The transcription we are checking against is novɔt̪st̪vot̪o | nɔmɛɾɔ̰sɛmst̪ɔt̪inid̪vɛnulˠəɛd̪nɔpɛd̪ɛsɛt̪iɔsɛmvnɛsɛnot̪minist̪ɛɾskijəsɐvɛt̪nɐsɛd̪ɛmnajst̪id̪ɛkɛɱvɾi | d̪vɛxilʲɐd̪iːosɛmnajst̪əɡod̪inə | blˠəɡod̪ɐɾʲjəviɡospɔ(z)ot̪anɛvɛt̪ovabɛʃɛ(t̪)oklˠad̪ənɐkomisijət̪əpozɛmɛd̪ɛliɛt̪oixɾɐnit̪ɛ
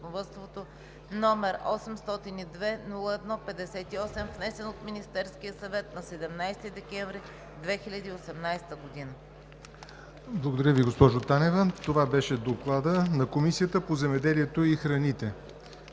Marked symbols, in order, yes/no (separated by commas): no, no